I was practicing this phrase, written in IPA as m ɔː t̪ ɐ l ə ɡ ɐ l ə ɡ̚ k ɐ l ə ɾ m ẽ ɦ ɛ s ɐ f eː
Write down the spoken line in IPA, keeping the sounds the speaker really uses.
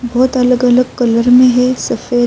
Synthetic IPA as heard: b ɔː t̪ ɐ l ə ɡ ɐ l ə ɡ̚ k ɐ l ə ɾ m ẽ ɦ ɛ s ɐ f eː